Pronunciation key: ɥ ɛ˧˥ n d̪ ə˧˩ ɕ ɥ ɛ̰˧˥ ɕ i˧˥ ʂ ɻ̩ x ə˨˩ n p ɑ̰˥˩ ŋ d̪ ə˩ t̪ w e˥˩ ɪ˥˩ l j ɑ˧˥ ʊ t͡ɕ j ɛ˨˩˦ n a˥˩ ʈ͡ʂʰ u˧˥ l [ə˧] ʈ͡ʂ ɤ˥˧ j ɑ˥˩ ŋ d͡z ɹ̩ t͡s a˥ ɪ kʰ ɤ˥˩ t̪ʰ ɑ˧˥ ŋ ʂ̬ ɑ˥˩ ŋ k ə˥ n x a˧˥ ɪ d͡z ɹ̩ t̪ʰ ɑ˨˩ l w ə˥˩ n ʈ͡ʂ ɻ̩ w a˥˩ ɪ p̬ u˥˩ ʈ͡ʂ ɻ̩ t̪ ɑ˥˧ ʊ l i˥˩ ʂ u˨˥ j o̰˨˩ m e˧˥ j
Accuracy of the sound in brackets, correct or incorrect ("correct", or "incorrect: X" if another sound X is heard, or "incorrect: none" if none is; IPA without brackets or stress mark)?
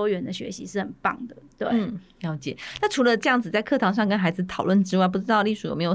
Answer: correct